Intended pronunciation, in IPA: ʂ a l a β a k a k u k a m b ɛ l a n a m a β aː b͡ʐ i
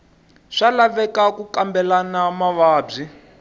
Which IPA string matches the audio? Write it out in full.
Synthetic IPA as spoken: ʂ a l a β ɛ k a k u k a m b ɛ l a n a m a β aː b͡ʐ i